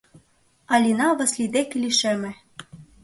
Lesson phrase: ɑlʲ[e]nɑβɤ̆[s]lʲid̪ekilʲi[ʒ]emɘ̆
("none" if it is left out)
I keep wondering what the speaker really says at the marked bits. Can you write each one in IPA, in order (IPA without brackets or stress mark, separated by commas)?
i, s, ʃ